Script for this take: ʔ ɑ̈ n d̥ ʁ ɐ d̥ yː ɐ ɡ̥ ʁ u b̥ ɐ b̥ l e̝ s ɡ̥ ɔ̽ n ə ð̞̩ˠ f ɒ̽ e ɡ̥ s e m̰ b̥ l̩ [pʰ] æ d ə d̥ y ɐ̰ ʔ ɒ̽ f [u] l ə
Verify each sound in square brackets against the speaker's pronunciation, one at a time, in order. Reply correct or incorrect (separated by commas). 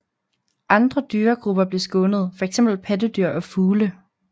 correct, incorrect